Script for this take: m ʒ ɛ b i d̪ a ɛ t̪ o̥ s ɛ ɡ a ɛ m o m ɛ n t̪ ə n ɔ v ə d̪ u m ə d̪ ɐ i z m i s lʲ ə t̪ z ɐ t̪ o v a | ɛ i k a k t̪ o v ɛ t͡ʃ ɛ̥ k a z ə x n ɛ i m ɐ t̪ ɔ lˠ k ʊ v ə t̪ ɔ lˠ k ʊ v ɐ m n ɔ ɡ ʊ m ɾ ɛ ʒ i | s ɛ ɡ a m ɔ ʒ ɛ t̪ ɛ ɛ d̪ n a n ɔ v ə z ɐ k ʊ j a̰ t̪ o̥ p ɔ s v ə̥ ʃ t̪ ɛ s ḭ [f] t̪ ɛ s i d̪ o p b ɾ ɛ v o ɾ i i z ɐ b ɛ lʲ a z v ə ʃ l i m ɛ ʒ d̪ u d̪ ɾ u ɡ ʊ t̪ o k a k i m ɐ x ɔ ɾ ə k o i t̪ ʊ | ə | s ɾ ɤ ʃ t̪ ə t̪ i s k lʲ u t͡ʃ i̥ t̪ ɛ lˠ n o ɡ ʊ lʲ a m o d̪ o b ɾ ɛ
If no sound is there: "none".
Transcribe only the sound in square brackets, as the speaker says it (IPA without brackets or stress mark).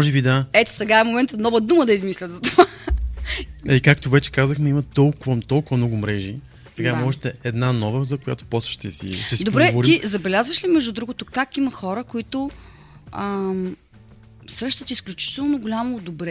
ʃ